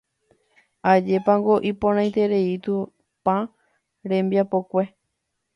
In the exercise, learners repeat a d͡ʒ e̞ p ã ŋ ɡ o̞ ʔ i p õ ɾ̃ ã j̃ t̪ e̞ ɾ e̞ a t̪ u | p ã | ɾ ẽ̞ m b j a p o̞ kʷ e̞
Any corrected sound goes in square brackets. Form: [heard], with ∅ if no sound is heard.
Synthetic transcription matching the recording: a d͡ʒ e̞ p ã ŋ ɡ o̞ ʔ i p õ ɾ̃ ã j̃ t̪ e̞ ɾ e̞ [i] t̪ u | p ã | ɾ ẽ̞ m b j a p o̞ kʷ e̞